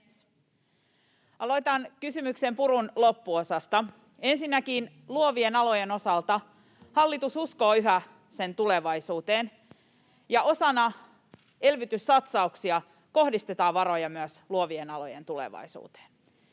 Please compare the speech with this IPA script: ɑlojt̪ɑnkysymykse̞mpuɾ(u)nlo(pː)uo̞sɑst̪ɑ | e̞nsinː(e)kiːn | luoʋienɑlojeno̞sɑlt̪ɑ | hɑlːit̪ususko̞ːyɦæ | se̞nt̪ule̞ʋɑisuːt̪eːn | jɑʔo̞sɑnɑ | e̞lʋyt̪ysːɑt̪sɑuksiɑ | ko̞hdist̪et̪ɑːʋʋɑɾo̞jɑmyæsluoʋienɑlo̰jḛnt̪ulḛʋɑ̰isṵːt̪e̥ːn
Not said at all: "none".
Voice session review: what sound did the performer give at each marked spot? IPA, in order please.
u, pː, æ

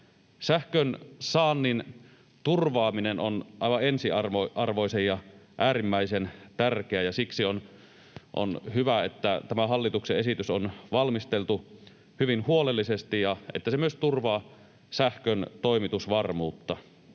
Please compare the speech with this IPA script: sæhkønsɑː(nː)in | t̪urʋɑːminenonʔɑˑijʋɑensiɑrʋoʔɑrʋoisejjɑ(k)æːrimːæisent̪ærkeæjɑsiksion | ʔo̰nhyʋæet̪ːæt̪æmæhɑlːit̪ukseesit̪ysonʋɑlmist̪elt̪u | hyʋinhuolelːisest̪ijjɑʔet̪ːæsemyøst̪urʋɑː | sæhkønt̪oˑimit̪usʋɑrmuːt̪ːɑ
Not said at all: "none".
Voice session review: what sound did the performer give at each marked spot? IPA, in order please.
nː, ʔ

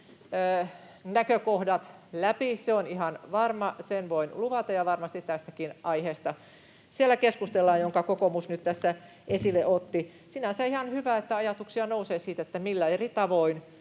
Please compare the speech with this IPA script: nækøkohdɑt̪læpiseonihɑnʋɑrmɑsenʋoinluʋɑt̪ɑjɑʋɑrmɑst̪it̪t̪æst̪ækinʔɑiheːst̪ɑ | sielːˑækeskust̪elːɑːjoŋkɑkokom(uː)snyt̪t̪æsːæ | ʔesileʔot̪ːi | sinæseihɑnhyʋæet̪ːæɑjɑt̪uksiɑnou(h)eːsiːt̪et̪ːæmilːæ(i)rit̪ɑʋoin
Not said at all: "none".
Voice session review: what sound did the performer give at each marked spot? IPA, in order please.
u, s, e

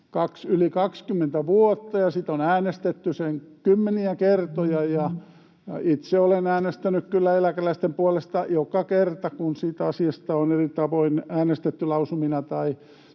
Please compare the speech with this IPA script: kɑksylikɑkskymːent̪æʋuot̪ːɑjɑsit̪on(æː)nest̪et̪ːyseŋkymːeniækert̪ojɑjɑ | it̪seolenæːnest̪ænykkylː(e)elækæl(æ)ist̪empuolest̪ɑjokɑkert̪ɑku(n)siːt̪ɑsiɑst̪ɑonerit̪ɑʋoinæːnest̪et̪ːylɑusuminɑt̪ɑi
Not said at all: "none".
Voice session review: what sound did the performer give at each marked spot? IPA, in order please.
æː, æ, æ, n

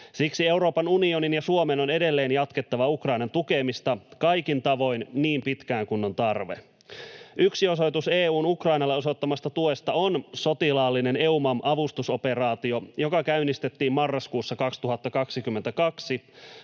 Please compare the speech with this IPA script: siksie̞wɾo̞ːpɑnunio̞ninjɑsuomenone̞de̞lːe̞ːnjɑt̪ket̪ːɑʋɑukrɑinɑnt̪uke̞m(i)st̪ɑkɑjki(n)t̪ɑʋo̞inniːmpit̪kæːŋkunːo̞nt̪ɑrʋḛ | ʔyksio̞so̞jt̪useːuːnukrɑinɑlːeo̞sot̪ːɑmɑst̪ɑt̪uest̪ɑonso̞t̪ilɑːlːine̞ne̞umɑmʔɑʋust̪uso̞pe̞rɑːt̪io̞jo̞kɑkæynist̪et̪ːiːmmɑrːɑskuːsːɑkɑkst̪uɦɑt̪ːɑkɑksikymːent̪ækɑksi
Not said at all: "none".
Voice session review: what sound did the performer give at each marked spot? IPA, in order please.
i, n

